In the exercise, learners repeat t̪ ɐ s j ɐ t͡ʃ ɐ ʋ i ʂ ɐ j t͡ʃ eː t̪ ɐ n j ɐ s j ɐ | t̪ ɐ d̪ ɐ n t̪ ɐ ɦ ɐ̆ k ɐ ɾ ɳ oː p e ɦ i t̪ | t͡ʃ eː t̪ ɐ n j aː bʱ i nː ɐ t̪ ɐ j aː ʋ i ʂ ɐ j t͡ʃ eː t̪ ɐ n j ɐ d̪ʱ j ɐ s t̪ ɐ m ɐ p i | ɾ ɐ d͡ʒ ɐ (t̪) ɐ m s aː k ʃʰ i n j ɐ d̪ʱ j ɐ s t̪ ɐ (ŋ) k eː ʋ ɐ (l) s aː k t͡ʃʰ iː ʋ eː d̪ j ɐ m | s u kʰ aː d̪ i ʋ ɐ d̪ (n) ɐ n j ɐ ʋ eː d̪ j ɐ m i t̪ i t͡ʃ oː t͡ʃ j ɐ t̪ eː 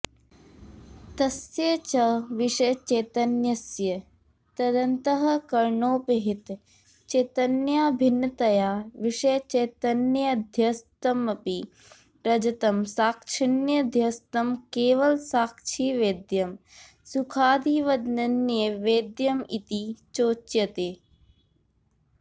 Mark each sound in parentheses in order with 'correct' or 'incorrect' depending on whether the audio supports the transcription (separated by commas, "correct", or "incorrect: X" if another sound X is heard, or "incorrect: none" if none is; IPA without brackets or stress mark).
correct, incorrect: m, correct, correct